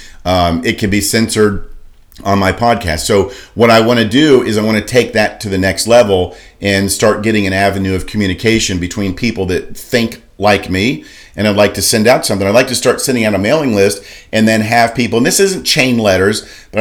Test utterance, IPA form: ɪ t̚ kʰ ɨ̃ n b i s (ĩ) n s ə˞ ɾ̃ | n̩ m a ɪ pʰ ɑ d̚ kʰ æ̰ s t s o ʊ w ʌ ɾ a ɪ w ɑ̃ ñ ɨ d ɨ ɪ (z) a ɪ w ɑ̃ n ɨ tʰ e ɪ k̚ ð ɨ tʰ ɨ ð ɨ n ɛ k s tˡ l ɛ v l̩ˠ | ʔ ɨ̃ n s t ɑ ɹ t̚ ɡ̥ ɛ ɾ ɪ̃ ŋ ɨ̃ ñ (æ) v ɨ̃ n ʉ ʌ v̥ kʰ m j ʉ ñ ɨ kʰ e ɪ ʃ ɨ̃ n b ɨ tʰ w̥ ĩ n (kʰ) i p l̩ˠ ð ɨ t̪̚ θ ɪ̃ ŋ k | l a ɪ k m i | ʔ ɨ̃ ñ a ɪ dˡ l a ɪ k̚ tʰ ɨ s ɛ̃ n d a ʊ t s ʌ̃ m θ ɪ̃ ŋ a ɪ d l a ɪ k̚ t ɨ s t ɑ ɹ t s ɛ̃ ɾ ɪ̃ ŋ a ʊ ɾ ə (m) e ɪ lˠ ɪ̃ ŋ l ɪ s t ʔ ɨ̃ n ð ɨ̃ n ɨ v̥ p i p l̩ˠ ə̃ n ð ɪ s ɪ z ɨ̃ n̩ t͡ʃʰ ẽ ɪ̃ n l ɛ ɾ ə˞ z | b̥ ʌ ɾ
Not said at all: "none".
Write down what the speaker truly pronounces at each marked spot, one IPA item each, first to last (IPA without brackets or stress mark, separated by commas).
ɛ̃, z, æ, pʰ, m